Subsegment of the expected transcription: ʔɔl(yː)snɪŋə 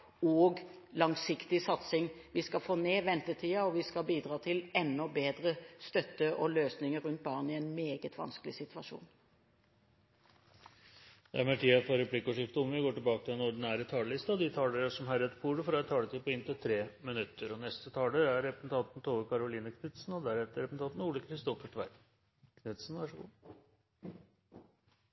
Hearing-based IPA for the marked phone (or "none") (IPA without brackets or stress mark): øː